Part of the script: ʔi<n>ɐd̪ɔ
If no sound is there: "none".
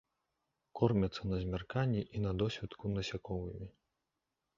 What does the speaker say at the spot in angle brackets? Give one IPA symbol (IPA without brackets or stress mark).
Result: n